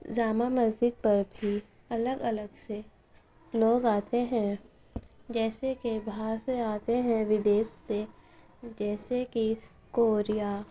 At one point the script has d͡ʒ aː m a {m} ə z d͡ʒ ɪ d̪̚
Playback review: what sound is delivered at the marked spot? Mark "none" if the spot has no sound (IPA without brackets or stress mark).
m